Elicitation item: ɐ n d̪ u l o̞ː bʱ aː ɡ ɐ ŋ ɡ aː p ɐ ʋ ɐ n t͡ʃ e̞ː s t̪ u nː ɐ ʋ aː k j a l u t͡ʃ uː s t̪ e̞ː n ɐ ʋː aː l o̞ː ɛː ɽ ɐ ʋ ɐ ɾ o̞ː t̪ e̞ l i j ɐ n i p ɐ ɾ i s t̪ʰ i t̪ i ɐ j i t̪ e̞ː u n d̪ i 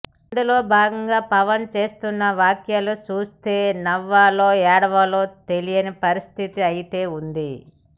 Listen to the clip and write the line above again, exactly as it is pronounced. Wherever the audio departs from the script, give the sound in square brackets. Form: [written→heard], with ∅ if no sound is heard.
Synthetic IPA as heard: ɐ n d̪ u l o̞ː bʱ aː ɡ ɐ ŋ ɡ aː p ɐ ʋ ɐ n t͡ʃ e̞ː s t̪ u nː ɐ ʋ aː k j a l u t͡ʃ uː s t̪ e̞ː n ɐ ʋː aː l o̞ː ɛː ɽ ɐ ʋ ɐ [ɾ→l] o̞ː t̪ e̞ l i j ɐ n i p ɐ ɾ i s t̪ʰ i t̪ i ɐ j i t̪ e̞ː u n d̪ i